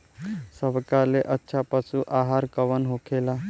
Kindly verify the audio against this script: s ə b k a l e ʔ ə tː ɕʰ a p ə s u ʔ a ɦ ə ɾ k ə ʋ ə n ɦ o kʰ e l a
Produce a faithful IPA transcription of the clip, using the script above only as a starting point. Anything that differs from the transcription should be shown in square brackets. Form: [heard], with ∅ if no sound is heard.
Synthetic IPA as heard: s ə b k a l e ʔ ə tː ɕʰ a p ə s u ʔ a ɦ [a] ɾ k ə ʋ ə n ɦ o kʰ e l a